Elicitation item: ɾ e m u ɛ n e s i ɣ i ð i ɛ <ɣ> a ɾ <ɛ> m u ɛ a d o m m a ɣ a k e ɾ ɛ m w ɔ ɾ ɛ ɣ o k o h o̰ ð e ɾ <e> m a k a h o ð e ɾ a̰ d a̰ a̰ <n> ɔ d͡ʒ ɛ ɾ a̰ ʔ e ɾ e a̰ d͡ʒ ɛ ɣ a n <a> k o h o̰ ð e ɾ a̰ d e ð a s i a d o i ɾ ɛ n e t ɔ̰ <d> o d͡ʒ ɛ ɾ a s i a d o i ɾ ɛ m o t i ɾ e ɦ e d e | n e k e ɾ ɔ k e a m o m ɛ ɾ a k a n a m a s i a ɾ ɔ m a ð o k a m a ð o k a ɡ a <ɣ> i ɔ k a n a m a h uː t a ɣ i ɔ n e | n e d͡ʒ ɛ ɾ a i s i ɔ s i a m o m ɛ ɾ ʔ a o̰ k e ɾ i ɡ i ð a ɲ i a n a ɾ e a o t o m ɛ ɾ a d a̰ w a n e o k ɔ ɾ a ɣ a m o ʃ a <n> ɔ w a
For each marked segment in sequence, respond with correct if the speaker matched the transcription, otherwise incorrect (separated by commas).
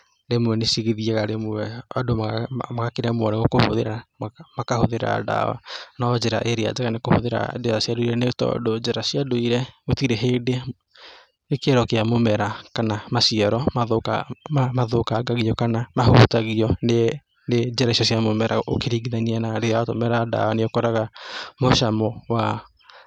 correct, incorrect, incorrect, correct, incorrect, correct, correct, incorrect